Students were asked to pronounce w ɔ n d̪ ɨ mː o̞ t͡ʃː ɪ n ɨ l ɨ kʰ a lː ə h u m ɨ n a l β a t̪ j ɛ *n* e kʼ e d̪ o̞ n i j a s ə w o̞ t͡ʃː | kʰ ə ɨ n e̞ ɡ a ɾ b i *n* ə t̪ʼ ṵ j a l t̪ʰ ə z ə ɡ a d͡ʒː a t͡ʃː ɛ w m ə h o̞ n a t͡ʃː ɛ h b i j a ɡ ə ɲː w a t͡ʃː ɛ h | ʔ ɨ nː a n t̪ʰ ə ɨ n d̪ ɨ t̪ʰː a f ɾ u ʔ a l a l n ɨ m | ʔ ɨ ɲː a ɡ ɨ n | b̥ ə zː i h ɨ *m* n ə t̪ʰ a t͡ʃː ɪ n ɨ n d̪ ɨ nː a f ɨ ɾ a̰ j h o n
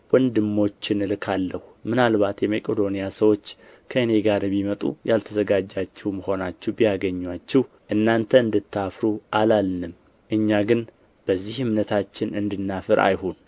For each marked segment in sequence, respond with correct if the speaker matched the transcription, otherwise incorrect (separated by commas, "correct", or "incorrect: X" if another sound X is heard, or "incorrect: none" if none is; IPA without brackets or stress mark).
incorrect: m, incorrect: m, correct